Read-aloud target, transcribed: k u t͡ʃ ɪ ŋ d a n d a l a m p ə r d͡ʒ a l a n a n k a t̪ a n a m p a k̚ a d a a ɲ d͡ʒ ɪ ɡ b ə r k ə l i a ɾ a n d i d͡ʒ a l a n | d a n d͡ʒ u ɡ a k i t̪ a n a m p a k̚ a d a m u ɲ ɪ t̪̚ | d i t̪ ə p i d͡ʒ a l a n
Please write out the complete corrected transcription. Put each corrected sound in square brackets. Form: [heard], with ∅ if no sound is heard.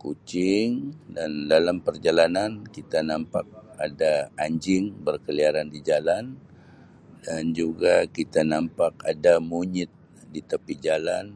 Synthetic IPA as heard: k u t͡ʃ ɪ ŋ d a n d a l a m p ə r d͡ʒ a l a n a n k [i] t̪ a n a m p a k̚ a d a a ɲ d͡ʒ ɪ [ŋ] b ə r k ə l i a ɾ a n d i d͡ʒ a l a n | d a n d͡ʒ u ɡ a k i t̪ a n a m p a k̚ a d a m u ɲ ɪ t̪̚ | d i t̪ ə p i d͡ʒ a l a n